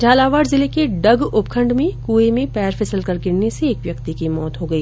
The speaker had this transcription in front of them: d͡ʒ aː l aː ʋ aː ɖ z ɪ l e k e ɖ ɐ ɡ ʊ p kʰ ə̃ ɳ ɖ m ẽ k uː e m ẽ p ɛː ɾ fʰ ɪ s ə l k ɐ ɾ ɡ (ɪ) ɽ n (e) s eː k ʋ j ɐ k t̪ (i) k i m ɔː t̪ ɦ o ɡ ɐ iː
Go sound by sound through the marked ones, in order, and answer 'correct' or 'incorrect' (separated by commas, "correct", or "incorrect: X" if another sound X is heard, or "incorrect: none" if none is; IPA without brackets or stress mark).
correct, correct, correct